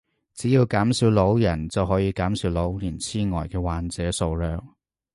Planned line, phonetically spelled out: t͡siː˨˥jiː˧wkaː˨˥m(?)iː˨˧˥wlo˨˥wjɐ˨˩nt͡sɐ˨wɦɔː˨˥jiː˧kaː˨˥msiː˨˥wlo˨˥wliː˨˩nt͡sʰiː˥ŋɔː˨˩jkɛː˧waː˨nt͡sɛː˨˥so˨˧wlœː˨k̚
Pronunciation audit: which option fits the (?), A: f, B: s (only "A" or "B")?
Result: B